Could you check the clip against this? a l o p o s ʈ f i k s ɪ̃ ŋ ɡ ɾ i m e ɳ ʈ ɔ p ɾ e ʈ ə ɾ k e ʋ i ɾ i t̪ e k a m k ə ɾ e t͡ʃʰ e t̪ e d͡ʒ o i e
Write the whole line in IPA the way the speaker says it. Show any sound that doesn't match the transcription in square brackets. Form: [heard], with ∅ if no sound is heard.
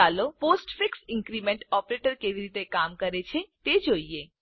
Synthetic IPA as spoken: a l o p o s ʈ f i k s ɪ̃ ŋ [k] ɾ i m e ɳ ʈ ɔ p ɾ e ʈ ə ɾ k e ʋ i ɾ i t̪ e k a m k ə ɾ e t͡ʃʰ e t̪ e d͡ʒ o i e